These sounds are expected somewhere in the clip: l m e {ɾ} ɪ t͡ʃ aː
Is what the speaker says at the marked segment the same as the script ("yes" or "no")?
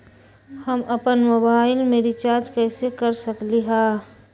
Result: yes